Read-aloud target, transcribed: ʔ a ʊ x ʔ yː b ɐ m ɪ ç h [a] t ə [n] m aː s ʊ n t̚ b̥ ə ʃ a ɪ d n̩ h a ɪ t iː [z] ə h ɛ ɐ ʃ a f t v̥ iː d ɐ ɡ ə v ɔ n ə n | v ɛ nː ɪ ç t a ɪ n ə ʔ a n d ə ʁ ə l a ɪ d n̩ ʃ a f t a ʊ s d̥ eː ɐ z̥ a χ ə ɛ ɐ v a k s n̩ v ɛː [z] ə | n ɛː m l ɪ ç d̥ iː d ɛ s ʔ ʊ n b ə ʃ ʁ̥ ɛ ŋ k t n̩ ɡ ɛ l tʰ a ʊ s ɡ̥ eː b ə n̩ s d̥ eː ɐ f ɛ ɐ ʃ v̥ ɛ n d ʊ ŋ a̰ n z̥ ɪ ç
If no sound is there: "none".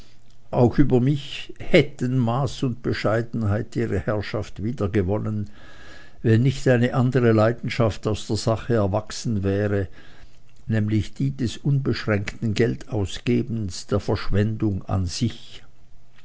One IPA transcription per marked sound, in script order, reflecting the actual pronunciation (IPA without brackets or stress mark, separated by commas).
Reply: ɛ, n, ʁ, ʁ